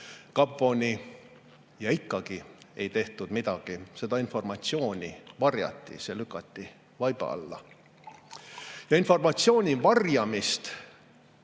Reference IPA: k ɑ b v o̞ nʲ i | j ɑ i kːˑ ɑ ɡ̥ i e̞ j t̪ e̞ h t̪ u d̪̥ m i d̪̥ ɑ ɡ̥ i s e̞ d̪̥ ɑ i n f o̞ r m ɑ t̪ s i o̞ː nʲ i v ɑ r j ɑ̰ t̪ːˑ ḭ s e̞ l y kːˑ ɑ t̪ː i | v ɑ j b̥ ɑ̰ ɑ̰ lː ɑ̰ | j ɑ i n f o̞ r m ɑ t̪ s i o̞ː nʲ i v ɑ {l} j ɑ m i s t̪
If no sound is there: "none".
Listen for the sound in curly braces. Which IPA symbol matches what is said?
r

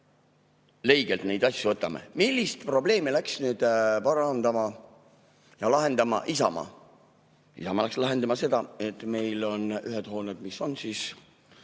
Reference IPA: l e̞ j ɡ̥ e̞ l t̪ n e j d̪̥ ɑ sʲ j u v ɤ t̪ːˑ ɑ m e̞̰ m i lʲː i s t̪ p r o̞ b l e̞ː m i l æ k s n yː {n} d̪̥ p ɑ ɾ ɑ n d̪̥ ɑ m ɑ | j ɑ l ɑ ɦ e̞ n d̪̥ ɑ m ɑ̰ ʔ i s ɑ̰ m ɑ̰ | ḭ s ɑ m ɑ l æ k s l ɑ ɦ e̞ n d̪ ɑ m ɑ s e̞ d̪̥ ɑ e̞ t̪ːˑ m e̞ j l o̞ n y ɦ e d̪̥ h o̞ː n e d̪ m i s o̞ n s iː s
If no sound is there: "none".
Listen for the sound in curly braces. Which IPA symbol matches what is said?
none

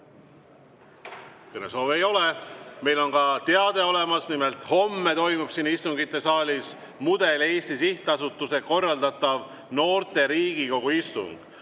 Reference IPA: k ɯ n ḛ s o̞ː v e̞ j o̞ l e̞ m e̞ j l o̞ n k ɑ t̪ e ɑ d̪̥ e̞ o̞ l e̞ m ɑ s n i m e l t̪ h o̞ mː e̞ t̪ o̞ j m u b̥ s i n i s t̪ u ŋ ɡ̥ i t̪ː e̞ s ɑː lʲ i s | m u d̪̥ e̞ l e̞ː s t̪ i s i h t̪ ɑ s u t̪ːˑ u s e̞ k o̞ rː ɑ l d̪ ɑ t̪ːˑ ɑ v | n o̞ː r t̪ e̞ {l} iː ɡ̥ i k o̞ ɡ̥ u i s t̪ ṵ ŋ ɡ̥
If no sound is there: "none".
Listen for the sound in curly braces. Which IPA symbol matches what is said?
ɾ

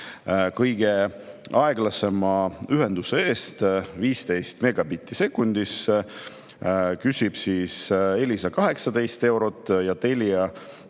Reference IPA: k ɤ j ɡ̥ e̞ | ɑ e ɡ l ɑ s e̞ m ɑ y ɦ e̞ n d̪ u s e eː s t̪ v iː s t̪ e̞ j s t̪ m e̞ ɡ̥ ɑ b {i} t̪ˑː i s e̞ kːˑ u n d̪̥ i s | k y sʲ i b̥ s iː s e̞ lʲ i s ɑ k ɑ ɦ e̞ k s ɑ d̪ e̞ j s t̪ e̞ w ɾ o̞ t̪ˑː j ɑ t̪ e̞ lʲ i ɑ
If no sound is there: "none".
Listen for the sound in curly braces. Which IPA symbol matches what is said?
i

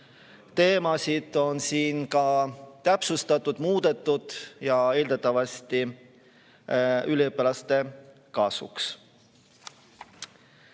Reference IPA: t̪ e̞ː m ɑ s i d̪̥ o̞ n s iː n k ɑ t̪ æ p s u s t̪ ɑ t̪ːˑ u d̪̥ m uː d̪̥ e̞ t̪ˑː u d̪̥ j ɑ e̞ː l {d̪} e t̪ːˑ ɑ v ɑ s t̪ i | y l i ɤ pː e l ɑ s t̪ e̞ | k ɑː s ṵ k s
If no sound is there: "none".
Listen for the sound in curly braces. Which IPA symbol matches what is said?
d̪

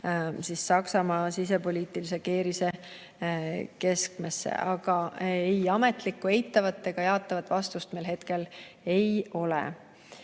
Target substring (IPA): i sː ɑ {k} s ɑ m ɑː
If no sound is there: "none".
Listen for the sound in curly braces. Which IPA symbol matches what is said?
k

